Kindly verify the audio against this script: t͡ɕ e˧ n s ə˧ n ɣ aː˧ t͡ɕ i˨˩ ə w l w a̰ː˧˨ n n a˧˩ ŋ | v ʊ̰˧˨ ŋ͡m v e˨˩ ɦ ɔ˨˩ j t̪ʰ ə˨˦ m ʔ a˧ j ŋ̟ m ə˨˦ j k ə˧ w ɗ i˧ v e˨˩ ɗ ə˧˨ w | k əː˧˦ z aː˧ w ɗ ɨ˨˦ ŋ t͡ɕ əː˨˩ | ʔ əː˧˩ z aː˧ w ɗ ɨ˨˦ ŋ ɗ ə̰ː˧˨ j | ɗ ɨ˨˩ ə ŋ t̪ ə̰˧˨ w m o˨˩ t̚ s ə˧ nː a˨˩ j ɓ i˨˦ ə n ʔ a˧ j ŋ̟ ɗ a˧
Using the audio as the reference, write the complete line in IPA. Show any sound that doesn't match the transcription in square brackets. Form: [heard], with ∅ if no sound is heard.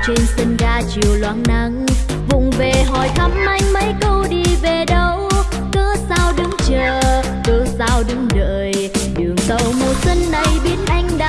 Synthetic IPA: t͡ɕ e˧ n s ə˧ n ɣ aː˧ t͡ɕ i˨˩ ə w l w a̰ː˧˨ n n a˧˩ ŋ | v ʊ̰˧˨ ŋ͡m v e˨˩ ɦ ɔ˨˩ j t̪ʰ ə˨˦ m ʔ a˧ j ŋ̟ m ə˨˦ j k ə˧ w ɗ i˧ v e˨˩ ɗ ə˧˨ w | k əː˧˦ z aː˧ w ɗ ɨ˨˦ ŋ t͡ɕ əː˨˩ | [k] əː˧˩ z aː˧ w ɗ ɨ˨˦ ŋ ɗ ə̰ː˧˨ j | ɗ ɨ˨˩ ə ŋ t̪ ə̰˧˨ w m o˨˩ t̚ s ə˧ nː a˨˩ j ɓ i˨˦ ə n ʔ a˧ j ŋ̟ ɗ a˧